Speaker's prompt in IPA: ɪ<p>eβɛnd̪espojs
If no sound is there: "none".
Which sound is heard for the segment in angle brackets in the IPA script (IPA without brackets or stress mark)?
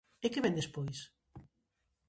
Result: k